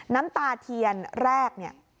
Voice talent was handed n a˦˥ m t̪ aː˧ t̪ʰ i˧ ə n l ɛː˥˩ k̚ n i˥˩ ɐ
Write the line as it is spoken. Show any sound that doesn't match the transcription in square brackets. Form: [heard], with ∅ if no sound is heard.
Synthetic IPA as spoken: n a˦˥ m t̪ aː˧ t̪ʰ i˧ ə n [ɾ] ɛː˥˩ k̚ n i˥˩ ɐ